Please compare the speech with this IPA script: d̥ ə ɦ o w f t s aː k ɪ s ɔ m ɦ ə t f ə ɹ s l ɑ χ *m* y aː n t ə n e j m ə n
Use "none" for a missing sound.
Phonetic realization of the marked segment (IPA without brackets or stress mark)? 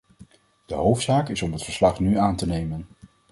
n